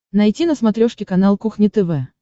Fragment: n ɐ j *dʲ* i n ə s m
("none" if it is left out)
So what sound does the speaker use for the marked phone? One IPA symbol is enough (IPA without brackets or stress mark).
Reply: tʲ